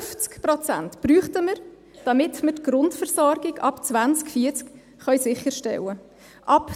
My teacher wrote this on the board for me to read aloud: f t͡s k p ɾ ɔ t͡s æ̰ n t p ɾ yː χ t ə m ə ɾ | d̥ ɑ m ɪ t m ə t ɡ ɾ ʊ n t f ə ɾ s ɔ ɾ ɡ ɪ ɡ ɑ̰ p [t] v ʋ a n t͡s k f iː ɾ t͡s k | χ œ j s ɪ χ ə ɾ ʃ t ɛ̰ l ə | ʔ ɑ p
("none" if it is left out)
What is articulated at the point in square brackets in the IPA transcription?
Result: t͡s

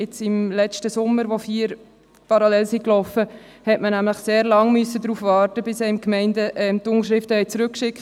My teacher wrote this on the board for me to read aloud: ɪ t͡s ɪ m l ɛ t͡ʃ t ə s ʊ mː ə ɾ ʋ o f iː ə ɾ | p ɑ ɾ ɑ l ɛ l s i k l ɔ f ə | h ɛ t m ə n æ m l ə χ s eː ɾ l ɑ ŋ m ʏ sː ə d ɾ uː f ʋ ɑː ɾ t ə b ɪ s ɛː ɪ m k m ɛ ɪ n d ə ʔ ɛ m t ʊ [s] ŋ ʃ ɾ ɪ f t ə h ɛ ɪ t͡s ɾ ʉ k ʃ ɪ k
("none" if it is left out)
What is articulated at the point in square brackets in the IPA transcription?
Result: none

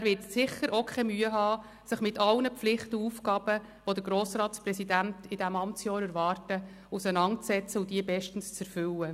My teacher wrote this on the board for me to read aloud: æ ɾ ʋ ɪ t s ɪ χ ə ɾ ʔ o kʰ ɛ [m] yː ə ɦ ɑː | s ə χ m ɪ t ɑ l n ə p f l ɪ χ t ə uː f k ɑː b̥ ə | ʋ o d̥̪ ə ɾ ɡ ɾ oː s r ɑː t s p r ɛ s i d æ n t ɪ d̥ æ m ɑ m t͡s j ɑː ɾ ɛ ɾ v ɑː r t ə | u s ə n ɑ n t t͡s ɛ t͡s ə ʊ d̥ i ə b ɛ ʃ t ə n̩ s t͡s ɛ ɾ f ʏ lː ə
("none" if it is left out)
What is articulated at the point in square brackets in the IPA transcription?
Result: m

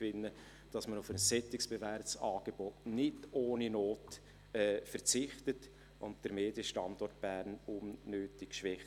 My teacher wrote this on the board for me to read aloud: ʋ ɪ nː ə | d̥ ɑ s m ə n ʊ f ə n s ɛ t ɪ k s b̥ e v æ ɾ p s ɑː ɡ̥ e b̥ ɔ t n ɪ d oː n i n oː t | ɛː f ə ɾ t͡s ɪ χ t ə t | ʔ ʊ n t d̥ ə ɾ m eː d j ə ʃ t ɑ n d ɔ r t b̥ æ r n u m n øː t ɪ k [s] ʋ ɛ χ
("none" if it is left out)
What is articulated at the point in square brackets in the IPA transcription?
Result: ʃ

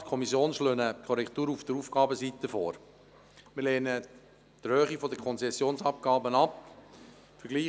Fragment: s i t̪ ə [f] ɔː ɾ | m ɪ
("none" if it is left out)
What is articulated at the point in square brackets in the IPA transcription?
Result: f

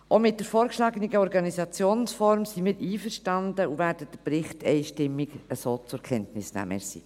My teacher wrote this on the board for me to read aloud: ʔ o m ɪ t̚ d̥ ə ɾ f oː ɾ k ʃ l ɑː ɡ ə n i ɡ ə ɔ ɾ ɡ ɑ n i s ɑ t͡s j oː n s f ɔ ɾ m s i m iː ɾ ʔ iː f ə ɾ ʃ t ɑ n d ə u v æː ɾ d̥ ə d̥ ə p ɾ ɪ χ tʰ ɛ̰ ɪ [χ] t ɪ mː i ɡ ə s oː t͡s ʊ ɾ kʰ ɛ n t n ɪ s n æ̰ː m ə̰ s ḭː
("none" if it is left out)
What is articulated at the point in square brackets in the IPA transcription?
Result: ʃ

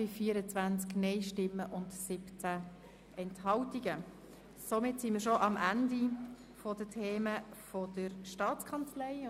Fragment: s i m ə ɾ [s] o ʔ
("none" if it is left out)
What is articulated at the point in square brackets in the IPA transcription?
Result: ʃ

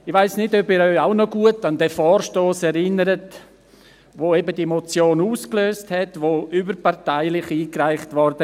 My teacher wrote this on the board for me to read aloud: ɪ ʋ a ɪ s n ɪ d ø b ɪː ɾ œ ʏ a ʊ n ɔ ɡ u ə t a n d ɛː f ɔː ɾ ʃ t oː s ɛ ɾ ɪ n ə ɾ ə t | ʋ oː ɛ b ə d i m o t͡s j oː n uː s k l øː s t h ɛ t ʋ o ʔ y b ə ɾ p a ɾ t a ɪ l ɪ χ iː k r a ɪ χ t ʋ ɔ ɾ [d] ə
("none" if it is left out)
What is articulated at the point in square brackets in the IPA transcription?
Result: d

